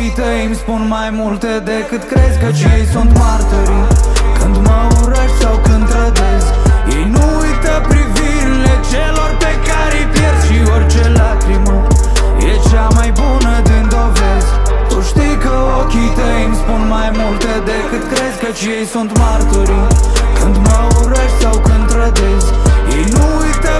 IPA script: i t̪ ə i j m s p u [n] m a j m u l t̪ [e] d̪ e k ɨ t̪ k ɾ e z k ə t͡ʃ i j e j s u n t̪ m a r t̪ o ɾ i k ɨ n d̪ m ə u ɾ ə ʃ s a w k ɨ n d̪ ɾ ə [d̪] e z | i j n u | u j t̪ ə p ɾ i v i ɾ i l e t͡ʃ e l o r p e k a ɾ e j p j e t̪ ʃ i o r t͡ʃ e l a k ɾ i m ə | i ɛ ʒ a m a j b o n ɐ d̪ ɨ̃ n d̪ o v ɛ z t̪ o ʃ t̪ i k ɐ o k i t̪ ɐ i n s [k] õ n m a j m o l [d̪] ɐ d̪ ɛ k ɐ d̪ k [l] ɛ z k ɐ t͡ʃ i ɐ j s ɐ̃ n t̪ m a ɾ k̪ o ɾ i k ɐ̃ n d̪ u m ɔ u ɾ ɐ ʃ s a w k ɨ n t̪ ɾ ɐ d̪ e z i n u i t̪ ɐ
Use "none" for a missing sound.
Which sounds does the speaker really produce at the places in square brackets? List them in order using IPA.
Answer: n, e, d̪, p, t̪, ɾ

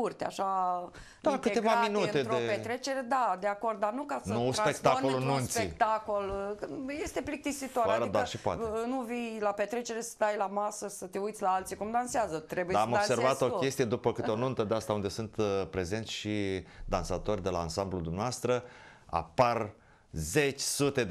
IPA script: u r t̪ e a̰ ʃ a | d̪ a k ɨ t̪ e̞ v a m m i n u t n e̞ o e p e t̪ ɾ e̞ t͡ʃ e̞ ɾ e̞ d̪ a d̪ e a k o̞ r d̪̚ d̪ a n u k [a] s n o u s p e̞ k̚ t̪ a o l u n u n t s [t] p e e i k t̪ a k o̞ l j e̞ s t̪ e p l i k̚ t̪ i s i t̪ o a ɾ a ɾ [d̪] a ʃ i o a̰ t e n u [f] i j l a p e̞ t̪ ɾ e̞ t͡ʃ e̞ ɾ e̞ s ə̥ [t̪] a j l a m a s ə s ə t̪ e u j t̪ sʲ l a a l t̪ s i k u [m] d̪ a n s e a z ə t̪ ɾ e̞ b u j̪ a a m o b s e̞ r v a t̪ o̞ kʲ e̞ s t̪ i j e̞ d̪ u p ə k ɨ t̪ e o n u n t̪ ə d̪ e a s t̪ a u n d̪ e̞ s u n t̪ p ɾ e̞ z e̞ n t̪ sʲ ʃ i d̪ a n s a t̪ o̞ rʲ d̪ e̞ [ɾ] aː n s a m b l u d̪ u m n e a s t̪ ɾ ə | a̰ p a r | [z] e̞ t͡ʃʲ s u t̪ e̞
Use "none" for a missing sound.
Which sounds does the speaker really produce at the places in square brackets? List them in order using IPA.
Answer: a, s, d̪, v, t̪, m, l, z

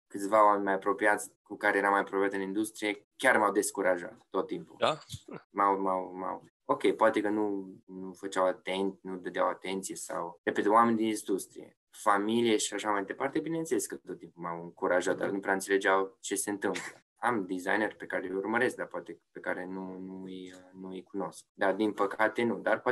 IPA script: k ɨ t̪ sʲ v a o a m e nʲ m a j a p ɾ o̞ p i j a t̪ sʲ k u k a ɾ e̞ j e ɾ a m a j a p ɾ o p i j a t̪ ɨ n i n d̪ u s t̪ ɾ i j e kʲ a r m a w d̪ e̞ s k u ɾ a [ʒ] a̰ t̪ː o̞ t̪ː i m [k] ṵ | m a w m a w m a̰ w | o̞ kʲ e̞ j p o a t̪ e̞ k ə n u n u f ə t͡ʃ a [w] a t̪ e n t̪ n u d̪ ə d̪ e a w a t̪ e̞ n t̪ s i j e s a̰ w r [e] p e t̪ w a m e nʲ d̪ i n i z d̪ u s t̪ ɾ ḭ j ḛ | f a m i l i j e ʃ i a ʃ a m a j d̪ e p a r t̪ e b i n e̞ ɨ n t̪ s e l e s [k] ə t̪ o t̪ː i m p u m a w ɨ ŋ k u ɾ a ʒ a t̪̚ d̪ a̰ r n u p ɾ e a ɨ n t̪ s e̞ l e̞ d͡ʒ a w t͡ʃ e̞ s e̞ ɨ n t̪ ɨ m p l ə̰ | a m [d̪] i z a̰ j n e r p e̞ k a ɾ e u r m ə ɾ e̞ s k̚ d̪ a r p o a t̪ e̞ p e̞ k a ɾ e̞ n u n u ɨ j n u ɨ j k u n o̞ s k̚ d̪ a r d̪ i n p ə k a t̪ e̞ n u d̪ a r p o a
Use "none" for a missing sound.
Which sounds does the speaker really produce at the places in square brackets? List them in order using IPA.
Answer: ʒ, p, w, e, k, d̪

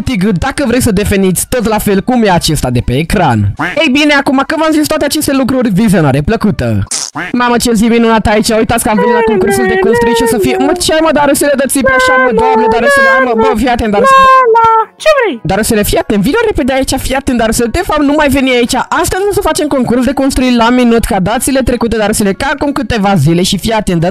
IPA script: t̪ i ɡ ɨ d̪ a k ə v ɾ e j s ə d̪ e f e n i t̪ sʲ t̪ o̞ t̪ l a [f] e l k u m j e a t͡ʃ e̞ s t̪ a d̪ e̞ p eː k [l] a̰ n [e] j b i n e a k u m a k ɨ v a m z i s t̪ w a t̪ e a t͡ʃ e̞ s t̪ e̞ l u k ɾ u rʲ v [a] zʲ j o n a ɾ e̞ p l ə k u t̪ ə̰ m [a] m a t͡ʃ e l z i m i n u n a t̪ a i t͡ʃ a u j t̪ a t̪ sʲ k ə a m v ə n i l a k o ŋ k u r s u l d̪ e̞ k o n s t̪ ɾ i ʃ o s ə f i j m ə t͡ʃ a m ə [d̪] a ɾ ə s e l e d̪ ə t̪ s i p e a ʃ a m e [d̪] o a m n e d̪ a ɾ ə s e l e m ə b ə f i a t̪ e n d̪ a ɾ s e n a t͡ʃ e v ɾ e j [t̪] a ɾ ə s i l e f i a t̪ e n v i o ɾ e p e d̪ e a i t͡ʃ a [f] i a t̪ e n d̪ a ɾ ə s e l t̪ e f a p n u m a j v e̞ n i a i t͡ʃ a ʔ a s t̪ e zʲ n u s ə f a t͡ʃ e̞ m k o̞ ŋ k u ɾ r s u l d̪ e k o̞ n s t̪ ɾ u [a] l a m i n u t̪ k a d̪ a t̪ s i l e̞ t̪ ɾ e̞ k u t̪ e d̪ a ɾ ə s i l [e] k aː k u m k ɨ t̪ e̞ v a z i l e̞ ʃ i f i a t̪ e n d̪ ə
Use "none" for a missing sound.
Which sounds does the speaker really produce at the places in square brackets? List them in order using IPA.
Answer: f, ɾ, e, i, a, d̪, d̪, d̪, f, i, e

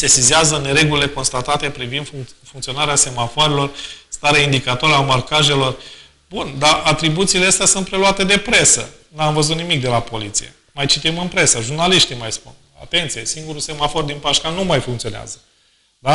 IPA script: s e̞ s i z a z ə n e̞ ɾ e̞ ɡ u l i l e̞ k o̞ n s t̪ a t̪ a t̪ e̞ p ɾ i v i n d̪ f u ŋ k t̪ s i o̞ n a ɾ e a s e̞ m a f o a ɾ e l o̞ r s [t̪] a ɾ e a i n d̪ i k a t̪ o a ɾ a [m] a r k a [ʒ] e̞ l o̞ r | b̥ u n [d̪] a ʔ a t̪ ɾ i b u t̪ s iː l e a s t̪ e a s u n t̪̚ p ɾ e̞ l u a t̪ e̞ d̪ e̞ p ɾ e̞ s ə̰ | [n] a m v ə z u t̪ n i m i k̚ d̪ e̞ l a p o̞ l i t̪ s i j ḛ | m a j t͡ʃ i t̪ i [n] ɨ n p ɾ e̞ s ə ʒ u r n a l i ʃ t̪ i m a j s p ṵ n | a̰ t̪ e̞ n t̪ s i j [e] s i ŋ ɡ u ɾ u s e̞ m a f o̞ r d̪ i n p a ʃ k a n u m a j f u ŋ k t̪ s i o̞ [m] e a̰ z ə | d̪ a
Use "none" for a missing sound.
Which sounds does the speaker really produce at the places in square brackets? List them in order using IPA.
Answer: t̪, m, ʒ, d̪, n, m, e, n

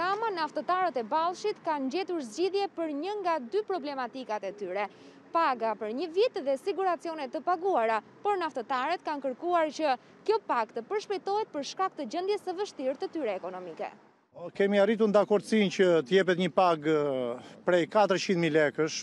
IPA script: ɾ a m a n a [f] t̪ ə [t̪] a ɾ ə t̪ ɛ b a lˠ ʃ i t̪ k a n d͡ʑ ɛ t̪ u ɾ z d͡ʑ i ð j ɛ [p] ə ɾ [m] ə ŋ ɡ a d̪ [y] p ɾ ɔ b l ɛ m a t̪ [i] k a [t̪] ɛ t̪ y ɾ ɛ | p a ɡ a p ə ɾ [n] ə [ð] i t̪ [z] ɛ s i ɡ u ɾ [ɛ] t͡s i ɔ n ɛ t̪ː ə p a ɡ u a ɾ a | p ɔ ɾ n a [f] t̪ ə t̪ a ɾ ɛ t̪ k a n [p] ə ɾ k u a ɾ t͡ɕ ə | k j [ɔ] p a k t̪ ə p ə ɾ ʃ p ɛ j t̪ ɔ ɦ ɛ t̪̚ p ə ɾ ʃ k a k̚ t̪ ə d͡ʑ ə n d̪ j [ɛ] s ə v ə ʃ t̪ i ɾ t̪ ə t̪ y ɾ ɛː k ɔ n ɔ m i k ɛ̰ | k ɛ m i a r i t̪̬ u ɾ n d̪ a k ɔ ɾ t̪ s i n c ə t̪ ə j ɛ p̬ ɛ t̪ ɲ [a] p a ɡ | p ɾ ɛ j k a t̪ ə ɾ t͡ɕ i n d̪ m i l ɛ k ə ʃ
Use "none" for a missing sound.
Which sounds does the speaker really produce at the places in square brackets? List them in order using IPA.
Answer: f, t̪, p, ɲ, y, i, t̪, ɲ, v, ð, a, f, k, ɔ, ɛ, ə

